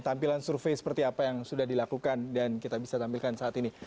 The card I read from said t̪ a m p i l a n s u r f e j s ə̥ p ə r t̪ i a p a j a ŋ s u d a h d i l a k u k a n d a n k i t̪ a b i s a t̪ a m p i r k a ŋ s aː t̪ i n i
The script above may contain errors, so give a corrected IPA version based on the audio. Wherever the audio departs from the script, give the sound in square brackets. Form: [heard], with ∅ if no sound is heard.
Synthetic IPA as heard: t̪ a m p i l a n s u r f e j s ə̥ p ə r t̪ i a p a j a ŋ s u d a h d i l a k u k a n d a n k i t̪ a b i s a t̪ a m p i [l] k a [n] s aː t̪ i n i